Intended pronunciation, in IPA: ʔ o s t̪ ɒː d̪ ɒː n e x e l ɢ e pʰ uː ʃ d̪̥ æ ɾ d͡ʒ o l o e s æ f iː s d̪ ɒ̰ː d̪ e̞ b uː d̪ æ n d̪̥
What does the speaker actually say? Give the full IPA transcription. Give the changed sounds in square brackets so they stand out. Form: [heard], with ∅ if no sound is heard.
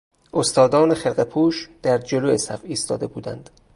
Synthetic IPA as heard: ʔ o s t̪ ɒː d̪ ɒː n e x e l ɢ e pʰ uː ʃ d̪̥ æ ɾ d͡ʒ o l o e s æ f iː s [t̪] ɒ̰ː d̪ e̞ b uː d̪ æ n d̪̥